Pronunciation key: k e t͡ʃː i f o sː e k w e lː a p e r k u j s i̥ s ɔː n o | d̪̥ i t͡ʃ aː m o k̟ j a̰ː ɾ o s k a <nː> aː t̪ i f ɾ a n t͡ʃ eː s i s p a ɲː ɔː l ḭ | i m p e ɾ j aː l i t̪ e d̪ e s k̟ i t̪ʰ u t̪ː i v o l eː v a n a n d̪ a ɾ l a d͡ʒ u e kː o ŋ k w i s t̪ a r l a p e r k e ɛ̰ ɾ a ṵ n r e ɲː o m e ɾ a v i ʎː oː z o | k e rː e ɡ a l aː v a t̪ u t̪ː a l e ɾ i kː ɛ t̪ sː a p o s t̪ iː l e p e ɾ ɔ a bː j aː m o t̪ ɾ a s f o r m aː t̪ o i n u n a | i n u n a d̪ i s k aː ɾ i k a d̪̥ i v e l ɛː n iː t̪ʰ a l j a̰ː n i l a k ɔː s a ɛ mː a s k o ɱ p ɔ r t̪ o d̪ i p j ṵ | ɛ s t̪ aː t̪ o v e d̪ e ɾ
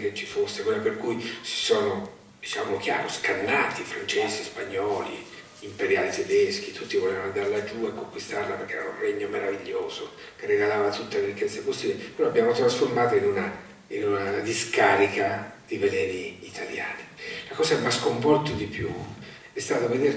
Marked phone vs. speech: correct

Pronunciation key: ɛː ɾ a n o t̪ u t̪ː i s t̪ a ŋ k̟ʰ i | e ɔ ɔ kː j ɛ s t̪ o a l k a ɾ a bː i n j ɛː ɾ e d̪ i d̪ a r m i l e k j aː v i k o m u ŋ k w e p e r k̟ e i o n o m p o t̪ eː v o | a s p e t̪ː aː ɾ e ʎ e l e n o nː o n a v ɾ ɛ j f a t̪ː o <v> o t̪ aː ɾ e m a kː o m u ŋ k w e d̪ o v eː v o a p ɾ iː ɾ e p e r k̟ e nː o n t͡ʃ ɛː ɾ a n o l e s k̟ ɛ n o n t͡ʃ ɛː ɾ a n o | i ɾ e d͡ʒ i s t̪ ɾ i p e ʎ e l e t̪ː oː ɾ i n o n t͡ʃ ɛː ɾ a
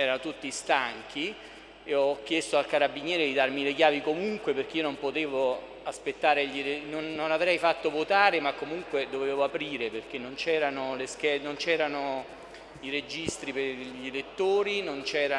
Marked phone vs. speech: correct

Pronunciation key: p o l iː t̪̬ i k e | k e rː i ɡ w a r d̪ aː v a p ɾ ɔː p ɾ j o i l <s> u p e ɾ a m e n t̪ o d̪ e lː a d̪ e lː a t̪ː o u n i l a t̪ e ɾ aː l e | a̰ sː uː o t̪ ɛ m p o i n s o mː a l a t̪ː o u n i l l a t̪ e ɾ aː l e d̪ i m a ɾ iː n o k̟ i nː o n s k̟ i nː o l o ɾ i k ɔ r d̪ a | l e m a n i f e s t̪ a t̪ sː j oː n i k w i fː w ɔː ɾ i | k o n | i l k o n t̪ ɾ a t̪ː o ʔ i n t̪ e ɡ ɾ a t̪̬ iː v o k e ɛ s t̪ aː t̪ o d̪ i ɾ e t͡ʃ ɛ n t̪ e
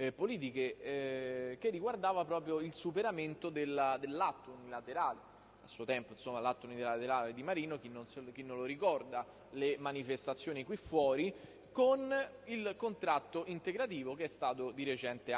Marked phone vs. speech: correct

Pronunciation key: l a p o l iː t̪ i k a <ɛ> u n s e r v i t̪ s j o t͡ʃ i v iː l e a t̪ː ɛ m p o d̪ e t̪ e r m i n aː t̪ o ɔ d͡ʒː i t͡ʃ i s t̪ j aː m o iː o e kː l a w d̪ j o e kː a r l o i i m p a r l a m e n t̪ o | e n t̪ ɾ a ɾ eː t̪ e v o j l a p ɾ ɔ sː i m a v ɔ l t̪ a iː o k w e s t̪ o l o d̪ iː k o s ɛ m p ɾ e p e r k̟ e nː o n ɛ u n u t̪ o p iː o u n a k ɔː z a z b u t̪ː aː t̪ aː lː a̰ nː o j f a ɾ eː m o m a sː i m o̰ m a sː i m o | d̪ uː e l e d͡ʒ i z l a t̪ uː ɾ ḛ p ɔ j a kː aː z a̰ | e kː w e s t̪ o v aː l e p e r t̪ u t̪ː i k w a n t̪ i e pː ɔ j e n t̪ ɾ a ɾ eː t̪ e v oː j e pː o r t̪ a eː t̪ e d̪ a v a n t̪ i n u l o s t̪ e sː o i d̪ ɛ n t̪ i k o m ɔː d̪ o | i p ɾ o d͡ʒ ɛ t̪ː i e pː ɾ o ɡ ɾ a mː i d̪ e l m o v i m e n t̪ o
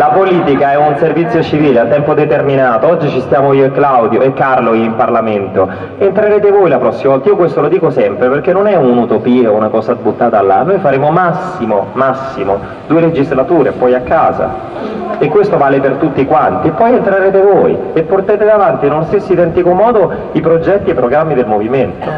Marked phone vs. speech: correct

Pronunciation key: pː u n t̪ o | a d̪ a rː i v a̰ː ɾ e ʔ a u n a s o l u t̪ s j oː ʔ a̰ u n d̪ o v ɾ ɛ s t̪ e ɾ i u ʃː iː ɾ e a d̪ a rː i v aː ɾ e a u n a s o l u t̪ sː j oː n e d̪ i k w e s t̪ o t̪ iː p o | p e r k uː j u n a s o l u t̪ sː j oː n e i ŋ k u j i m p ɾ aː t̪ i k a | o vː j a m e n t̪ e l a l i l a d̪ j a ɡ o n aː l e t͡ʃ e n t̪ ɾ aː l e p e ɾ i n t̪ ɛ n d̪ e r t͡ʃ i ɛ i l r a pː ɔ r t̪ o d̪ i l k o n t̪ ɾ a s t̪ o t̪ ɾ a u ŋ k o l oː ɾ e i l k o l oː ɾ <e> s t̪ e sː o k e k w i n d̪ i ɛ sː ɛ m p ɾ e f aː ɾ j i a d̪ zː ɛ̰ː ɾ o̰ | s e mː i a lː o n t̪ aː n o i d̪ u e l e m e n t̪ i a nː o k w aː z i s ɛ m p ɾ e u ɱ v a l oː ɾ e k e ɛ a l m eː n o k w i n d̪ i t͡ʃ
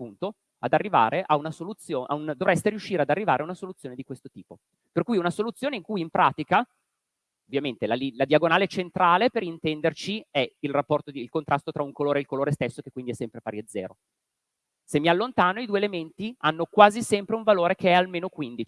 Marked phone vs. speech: correct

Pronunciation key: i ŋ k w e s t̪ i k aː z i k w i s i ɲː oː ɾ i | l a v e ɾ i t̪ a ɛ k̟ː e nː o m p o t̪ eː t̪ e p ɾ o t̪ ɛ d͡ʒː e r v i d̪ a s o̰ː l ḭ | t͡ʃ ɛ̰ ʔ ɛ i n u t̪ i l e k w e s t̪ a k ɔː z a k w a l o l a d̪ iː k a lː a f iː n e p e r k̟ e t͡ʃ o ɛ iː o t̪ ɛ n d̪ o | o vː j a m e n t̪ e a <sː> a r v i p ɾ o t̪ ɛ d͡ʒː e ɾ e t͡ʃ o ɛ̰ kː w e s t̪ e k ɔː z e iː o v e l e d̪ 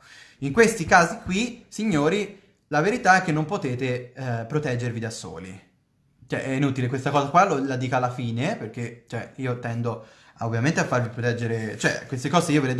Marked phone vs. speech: incorrect: fː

